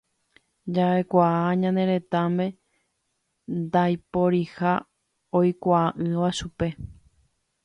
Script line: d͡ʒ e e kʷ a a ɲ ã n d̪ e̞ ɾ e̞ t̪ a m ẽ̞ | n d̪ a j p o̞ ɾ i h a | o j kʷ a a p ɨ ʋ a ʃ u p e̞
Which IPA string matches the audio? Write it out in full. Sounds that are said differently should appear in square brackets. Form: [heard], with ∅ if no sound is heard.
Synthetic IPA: d͡ʒ [a] e kʷ a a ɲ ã n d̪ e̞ ɾ e̞ t̪ a m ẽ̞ | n d̪ a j p o̞ ɾ i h a | o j kʷ a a [ʔ] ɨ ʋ a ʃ u p e̞

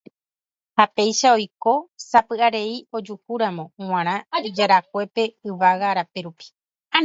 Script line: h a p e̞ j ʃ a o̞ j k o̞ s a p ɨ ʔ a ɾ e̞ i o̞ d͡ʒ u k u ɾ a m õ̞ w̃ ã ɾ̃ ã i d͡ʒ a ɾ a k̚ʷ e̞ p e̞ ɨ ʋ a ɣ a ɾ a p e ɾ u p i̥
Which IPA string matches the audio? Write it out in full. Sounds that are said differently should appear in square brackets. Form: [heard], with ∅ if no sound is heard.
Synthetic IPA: h a p e̞ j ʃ a o̞ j k o̞ s a p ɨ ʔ a ɾ e̞ i o̞ d͡ʒ u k u ɾ a m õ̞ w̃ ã ɾ̃ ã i d͡ʒ a ɾ a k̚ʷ e̞ p e̞ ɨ ʋ a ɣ a ɾ a p e ɾ u p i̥

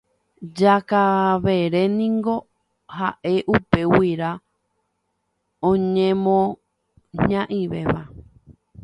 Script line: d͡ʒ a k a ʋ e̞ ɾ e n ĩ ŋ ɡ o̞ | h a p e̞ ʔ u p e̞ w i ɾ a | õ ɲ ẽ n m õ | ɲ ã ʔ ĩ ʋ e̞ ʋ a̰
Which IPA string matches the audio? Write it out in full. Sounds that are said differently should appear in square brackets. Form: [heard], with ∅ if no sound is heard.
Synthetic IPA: d͡ʒ a k a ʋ e̞ ɾ e n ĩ ŋ ɡ o̞ | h a [ʔ] e̞ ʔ u p e̞ w i ɾ a | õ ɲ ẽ [∅] m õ | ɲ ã ʔ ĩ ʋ e̞ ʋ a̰

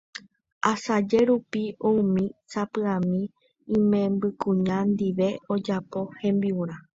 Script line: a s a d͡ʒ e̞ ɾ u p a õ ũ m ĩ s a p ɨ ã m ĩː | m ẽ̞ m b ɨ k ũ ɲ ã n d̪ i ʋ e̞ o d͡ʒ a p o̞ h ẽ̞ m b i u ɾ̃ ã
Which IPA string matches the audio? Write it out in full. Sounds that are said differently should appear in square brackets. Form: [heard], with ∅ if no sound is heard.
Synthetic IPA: a s a d͡ʒ e̞ ɾ u p [i] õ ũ m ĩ s a p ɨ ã m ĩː | m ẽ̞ m b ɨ k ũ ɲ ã n d̪ i ʋ e̞ o d͡ʒ a p o̞ h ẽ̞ m b i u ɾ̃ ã

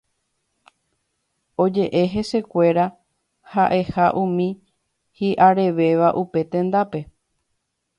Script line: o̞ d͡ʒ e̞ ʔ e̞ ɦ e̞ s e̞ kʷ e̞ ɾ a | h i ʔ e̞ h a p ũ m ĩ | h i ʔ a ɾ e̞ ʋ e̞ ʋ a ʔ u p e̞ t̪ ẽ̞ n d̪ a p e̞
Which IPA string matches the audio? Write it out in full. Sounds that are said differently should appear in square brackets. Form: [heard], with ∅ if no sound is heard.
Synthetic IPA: o̞ d͡ʒ e̞ ʔ e̞ ɦ e̞ s e̞ kʷ e̞ ɾ a | h [a] ʔ e̞ h a [ʔ] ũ m ĩ | h i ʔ a ɾ e̞ ʋ e̞ ʋ a ʔ u p e̞ t̪ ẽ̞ n d̪ a p e̞

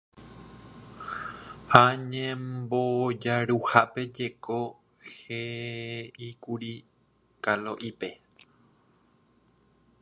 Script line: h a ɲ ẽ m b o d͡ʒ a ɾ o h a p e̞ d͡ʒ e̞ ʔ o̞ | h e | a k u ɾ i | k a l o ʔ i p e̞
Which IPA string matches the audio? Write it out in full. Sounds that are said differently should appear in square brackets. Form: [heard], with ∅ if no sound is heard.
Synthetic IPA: h a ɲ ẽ m b o d͡ʒ a ɾ [u] h a p e̞ d͡ʒ e̞ [k] o̞ | h e | [i] k u ɾ i | k a l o ʔ i p e̞

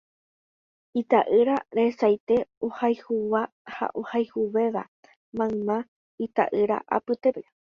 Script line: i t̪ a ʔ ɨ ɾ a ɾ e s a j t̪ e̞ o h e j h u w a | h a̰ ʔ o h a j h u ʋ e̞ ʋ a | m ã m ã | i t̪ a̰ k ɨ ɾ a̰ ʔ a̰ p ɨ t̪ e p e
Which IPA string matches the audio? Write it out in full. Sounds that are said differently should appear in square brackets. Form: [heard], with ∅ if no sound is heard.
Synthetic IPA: i t̪ a ʔ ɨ ɾ a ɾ e s a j t̪ e̞ o h [a] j h u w a | h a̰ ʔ o h a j h u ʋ e̞ ʋ a | m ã m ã | i t̪ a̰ [ʔ] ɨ ɾ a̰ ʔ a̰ p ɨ t̪ e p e

